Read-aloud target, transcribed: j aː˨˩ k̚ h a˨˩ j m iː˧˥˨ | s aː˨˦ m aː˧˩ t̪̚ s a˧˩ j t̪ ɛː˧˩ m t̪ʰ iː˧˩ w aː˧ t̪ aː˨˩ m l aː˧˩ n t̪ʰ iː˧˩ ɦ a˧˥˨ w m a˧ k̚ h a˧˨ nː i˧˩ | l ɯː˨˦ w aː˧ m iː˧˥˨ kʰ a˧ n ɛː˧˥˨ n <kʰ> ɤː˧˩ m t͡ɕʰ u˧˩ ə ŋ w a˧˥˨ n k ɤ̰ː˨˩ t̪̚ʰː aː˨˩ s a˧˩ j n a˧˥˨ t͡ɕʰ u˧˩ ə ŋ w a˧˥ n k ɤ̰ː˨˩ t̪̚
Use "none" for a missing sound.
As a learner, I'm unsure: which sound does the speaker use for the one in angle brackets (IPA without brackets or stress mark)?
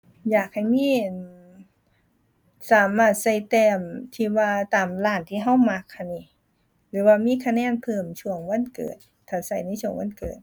pʰ